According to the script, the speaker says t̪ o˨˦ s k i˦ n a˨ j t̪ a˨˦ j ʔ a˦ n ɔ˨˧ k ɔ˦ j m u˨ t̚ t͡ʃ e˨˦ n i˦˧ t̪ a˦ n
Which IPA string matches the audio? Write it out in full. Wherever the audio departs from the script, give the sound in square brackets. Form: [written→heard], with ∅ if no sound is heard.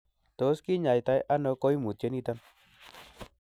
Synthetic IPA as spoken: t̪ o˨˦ s k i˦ [n→ɲ] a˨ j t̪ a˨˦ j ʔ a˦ n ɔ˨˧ k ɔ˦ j m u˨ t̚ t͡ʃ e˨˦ n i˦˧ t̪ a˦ n

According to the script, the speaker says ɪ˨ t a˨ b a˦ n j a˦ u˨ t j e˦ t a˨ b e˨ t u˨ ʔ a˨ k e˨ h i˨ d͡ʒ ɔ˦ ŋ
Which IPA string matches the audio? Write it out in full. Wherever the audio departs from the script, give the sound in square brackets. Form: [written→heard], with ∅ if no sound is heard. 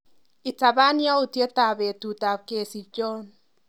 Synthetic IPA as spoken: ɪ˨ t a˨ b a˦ n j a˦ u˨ t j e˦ t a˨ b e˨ t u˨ [ʔ→t] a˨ k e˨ [h→s] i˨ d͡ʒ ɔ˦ [ŋ→n]

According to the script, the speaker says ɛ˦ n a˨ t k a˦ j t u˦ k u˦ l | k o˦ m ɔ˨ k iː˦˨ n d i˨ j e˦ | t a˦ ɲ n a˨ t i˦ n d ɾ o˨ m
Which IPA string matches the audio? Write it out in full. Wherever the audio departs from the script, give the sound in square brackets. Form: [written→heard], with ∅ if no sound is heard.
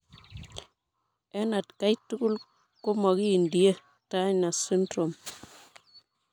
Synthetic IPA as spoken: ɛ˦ n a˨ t k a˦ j t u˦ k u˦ l | k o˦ m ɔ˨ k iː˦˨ n d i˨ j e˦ | t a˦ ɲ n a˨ [t→s] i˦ n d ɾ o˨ m

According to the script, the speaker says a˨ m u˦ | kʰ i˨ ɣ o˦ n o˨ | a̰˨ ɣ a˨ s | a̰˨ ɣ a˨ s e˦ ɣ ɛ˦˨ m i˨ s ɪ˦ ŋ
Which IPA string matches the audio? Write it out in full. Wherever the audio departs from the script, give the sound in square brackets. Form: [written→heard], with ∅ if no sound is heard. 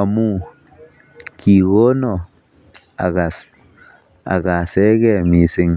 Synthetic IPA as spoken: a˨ m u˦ | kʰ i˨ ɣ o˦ n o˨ | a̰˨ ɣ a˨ s | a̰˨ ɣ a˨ s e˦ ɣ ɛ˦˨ m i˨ s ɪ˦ ŋ

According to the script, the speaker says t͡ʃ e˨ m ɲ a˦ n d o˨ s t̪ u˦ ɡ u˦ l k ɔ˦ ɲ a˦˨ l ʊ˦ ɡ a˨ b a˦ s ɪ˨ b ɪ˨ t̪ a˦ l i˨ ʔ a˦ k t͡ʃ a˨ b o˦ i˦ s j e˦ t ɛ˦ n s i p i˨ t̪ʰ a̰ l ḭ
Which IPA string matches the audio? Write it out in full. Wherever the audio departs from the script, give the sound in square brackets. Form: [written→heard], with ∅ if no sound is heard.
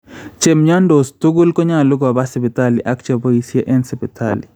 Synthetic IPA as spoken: t͡ʃ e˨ m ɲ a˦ n d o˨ s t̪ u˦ ɡ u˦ l k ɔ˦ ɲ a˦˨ l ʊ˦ ɡ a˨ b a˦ s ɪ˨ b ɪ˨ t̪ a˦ l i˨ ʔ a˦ k t͡ʃ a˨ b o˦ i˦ s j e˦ [t→ʔ] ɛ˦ n s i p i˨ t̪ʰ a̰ l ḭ

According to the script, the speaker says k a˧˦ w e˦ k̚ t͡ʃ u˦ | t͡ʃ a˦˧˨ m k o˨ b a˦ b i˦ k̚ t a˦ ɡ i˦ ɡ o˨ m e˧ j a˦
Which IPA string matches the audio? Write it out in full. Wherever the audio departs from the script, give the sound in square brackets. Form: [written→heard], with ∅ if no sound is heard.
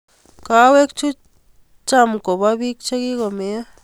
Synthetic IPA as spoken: k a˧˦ w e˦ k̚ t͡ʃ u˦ | t͡ʃ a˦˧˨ m k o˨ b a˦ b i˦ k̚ [t→t͡ʃ] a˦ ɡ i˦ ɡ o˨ m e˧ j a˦

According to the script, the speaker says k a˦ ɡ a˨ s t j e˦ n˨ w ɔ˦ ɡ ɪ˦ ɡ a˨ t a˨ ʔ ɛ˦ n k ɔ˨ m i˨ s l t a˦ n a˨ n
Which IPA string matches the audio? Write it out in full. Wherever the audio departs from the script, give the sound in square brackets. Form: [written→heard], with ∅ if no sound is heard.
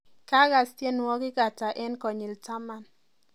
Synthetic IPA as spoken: k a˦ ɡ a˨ s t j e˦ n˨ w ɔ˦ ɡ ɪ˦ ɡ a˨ t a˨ ʔ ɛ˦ n k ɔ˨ [m→ɲ] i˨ [s→∅] l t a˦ [n→m] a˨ n

